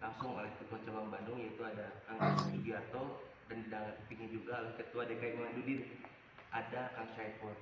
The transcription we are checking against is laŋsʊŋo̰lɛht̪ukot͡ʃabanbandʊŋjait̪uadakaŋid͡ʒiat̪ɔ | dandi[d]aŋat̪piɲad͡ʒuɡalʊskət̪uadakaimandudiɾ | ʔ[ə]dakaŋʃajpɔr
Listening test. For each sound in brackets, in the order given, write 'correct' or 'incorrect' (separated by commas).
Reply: correct, incorrect